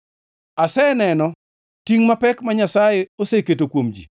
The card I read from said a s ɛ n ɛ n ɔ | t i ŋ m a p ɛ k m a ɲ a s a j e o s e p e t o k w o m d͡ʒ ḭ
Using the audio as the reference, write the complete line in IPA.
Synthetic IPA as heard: a s ɛ n ɛ n ɔ | t i ŋ m a p ɛ k m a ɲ a s a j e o s e k e t o k w o m d͡ʒ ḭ